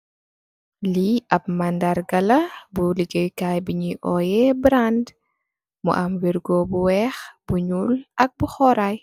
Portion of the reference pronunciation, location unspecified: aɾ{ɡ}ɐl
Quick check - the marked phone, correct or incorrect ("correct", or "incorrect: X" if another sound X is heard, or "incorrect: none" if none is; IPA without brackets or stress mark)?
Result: correct